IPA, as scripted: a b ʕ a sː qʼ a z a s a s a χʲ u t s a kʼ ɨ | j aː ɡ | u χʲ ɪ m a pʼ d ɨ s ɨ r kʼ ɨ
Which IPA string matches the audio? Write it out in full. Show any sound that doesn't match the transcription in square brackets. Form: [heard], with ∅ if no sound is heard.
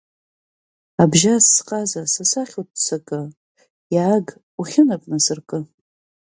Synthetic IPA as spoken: a b [ʒ] a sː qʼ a z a s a s a χʲ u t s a kʼ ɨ | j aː ɡ | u χʲ ɪ [n] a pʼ [n] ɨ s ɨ r kʼ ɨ